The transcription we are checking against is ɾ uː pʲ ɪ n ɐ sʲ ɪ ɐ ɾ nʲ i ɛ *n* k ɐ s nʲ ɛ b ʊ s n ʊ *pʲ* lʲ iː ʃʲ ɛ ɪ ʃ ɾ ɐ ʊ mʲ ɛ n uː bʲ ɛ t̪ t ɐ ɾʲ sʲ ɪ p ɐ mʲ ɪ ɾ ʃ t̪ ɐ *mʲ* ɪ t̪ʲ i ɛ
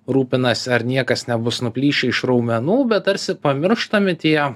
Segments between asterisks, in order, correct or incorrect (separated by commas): incorrect, correct, correct